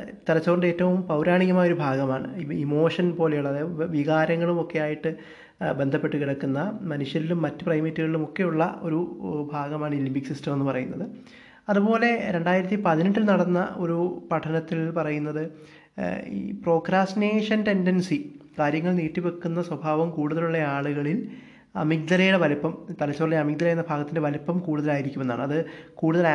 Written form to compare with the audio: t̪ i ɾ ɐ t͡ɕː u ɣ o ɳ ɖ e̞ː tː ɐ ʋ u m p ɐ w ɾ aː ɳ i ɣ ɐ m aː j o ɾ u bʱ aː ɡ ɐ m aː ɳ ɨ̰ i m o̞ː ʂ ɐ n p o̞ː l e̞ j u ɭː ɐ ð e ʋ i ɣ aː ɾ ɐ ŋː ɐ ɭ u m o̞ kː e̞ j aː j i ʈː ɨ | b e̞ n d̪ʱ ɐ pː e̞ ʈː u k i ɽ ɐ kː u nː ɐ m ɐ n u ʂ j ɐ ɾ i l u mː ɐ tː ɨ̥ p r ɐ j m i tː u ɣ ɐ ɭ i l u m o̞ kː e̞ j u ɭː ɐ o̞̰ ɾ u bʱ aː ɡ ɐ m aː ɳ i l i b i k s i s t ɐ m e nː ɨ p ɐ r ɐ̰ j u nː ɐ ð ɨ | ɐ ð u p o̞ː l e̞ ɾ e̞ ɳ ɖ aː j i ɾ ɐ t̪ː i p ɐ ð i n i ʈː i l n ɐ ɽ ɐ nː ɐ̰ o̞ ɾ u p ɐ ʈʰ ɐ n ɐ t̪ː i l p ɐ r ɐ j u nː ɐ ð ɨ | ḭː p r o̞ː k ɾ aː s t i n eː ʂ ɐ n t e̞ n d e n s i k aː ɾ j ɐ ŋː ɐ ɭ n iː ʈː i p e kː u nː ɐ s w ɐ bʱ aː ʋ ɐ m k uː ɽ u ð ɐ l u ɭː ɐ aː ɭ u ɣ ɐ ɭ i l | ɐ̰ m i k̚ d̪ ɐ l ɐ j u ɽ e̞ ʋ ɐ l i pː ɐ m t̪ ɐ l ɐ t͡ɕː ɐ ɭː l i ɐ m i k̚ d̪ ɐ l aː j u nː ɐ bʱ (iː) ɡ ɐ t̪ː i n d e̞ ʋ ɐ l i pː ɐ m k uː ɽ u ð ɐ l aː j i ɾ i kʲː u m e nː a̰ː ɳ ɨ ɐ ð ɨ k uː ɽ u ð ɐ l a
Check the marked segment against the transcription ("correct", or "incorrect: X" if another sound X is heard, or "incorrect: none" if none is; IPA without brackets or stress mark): incorrect: aː